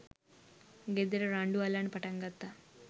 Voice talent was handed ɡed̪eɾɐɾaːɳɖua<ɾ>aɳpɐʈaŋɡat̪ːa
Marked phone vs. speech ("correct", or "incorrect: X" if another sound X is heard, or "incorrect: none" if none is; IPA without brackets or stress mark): incorrect: l